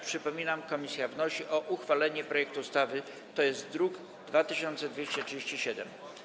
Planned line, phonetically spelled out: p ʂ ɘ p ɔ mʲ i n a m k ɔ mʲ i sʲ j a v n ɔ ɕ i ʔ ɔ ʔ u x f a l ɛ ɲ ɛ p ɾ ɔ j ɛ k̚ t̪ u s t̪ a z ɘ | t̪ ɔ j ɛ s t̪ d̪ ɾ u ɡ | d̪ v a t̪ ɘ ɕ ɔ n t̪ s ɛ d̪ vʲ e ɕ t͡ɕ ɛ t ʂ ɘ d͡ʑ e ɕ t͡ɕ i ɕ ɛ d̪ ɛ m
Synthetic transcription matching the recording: p ʂ ɘ p ɔ mʲ i n a m k ɔ mʲ i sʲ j a v n ɔ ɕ i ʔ ɔ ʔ u x f a l ɛ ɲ ɛ p ɾ ɔ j ɛ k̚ t̪ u s t̪ a v ɘ | t̪ ɔ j ɛ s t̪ d̪ ɾ u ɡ | d̪ v a t̪ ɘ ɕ ɔ n t̪ s ɛ d̪ vʲ e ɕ t͡ɕ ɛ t ʂ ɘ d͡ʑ e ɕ t͡ɕ i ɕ ɛ d̪ ɛ m